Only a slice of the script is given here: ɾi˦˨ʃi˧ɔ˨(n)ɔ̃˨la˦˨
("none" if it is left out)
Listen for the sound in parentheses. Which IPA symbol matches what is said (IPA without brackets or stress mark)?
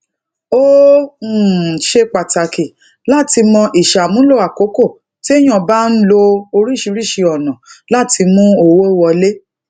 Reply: n